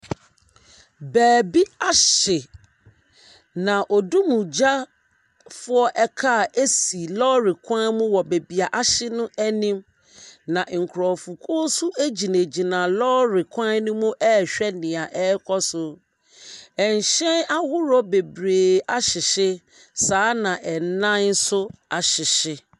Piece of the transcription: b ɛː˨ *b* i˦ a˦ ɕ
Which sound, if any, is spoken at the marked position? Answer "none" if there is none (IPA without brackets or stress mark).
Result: b